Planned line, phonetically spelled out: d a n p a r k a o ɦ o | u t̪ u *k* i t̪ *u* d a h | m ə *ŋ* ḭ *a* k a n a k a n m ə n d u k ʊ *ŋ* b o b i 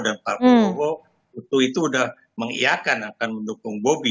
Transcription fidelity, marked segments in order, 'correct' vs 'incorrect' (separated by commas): incorrect, incorrect, correct, correct, correct